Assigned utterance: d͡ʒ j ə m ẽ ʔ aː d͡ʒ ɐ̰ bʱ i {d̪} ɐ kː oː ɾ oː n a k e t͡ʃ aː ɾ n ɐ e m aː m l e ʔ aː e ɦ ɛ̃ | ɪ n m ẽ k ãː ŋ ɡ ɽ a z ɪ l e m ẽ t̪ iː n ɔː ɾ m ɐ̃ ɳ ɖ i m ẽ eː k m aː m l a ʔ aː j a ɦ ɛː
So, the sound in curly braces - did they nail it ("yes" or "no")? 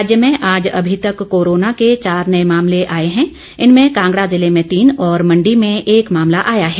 no